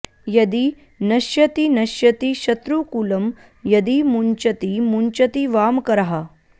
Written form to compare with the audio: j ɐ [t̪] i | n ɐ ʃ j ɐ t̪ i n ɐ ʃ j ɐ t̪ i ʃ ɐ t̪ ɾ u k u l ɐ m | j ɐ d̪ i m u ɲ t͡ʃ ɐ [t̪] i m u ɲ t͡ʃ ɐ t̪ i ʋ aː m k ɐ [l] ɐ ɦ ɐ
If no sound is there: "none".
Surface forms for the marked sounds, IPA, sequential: d̪, t̪, ɾ

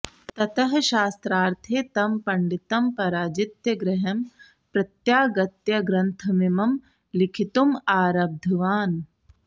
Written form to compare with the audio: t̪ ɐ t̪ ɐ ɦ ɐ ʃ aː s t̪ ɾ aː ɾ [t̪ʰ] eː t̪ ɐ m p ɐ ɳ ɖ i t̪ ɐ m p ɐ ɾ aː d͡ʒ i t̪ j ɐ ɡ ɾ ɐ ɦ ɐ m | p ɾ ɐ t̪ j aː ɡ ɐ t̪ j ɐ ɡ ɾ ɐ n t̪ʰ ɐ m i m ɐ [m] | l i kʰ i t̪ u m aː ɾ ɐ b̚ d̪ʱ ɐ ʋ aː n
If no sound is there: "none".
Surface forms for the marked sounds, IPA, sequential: t̪ʰ, m

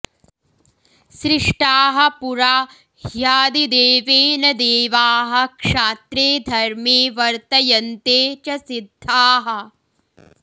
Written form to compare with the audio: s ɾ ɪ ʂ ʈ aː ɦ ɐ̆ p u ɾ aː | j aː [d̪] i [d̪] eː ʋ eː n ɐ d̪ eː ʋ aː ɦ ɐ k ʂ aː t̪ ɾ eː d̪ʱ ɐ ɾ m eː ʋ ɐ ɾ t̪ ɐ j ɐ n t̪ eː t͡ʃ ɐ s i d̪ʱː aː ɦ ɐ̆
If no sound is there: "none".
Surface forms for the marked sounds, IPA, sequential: d̪, d̪

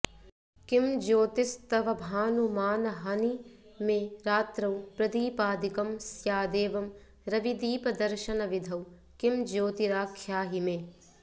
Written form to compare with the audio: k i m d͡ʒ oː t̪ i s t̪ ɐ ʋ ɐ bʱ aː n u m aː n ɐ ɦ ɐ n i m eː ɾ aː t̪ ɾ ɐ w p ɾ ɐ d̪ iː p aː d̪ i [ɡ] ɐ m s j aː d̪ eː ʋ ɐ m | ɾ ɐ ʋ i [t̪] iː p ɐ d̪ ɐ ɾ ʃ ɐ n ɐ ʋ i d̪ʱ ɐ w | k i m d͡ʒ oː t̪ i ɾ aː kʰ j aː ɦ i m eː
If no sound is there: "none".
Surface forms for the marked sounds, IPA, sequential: k, d̪

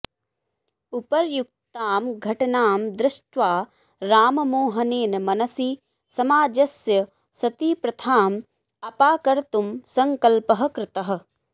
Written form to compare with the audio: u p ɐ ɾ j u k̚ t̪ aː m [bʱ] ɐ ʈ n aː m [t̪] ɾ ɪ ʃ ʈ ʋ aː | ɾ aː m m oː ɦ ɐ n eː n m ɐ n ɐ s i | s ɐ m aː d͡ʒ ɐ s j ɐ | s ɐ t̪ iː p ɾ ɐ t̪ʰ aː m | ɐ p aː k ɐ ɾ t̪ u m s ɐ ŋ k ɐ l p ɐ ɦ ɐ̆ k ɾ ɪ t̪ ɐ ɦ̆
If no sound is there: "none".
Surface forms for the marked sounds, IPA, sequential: ɡʱ, d̪

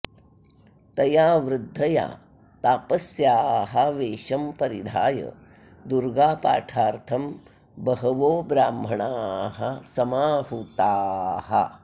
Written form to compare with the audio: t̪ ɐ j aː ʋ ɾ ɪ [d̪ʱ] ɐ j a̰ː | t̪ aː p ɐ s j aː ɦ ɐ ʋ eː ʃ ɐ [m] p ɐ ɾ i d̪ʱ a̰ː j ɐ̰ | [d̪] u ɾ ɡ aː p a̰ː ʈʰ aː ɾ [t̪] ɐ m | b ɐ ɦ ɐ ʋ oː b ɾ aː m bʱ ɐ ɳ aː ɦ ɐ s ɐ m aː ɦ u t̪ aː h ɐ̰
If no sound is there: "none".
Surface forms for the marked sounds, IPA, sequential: d̪ʱː, m, d̪, t̪ʰ

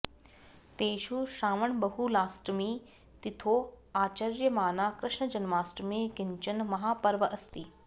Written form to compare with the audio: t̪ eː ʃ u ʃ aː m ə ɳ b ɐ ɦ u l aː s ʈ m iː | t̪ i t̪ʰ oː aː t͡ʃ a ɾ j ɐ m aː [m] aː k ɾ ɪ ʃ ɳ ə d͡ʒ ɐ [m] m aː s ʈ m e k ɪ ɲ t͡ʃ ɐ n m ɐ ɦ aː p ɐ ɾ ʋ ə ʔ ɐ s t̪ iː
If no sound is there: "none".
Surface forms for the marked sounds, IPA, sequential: n, n

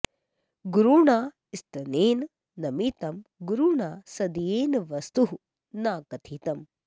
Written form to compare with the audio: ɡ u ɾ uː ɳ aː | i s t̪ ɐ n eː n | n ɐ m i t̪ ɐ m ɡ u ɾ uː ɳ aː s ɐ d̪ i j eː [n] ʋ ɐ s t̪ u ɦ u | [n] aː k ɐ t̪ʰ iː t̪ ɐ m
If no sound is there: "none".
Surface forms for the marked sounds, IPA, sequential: n, n

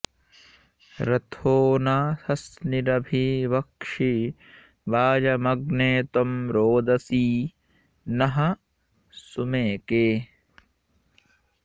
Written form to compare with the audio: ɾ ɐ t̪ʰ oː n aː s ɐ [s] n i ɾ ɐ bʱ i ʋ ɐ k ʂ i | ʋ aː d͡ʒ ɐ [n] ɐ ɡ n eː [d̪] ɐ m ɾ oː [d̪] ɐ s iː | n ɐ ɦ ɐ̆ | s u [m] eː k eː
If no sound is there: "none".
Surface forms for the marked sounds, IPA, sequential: s, m, t̪, d̪, m

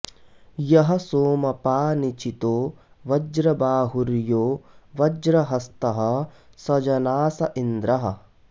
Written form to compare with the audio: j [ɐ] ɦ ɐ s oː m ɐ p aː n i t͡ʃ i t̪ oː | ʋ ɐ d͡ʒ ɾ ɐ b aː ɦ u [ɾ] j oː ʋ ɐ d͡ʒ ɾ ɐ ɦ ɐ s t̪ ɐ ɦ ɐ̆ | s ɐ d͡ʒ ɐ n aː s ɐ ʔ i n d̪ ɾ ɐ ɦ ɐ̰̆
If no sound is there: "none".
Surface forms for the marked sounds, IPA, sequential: ɐ, ɾ

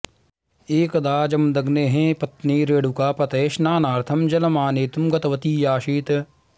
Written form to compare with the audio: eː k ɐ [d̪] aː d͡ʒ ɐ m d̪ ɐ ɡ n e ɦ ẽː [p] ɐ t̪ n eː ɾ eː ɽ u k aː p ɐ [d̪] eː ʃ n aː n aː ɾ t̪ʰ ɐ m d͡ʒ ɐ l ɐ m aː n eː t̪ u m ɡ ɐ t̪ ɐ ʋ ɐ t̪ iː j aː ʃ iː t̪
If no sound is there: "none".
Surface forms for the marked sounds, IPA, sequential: d̪, p, t̪

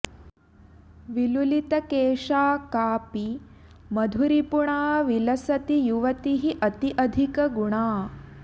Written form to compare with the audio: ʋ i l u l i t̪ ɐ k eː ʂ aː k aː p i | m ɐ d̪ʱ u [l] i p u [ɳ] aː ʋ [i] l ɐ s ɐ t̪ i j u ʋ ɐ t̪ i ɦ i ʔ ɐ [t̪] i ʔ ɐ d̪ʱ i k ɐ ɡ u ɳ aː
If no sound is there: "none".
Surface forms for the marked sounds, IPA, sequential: ɾ, ɳ, i, t̪

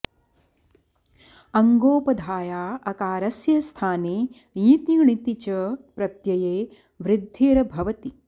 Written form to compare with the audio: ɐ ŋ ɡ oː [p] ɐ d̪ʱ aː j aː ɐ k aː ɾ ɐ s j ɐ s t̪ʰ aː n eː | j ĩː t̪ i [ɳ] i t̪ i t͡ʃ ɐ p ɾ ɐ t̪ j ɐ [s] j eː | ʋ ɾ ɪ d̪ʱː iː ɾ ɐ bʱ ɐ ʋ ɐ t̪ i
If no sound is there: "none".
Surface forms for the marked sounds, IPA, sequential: p, ɳ, none

